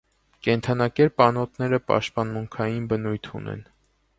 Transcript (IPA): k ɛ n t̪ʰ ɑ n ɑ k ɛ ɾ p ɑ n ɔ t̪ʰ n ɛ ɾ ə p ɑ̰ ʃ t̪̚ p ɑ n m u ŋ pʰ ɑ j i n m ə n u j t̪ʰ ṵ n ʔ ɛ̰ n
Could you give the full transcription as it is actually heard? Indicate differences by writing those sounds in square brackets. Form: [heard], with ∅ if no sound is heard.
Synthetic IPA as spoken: k ɛ n t̪ʰ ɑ n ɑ k ɛ ɾ p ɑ n ɔ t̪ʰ n ɛ ɾ ə p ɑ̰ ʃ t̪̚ p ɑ n m u ŋ [kʰ] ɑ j i n [b] ə n u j t̪ʰ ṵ n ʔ ɛ̰ n